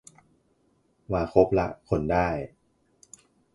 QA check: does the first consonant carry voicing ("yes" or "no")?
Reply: yes